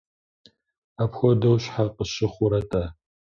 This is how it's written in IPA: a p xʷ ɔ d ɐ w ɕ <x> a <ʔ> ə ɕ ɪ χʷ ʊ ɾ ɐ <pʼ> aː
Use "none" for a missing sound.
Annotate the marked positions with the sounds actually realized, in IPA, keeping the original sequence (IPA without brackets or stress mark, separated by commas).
ħ, q, tʼ